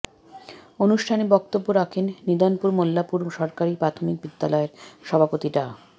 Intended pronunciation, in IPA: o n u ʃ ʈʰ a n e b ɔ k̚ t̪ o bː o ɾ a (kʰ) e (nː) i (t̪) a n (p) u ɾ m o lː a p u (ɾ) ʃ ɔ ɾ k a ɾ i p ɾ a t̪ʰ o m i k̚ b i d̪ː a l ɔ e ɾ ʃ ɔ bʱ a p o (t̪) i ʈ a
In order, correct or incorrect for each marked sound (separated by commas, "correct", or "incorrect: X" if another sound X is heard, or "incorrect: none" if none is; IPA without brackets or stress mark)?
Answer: correct, correct, incorrect: d̪, correct, correct, correct